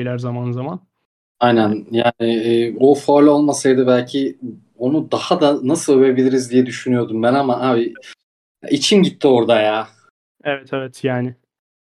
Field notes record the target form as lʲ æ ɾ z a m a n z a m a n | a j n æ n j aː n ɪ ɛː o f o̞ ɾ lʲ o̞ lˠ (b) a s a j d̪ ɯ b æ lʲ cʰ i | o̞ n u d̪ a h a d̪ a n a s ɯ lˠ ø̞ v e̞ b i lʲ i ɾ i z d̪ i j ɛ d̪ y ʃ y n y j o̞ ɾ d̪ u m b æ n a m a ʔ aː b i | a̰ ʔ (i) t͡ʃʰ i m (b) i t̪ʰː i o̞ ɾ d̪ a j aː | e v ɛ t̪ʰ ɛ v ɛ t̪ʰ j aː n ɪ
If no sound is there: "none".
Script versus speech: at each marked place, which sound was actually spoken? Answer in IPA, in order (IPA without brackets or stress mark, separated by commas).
m, i, ɟ